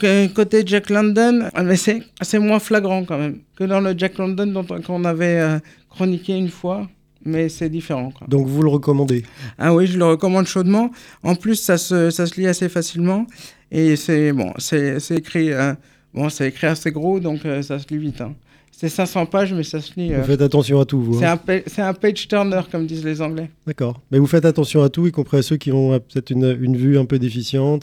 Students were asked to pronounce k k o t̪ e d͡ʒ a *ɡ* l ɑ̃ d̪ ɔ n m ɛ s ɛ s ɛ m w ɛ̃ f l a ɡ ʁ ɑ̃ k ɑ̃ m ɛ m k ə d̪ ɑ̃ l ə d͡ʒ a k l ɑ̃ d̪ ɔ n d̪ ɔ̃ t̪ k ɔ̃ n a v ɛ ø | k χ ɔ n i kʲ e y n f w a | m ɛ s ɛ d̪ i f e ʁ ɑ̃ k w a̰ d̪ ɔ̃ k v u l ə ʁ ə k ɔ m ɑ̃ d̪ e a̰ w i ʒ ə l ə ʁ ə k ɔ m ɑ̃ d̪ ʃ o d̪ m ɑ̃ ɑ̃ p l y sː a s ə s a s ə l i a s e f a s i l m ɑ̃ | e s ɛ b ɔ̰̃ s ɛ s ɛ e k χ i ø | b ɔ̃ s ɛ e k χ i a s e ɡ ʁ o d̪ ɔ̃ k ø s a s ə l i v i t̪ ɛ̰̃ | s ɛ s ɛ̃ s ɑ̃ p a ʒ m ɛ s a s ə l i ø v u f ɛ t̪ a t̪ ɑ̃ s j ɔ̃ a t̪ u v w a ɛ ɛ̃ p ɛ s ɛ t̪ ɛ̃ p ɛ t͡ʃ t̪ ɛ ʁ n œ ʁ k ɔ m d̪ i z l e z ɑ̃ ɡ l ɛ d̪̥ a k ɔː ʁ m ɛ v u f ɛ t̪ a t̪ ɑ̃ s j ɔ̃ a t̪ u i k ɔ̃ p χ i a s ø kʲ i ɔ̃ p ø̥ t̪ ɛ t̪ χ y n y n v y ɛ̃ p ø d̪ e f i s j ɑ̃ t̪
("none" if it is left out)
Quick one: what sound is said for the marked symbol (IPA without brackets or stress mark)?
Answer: k